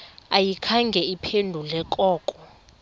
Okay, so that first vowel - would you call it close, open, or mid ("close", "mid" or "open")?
open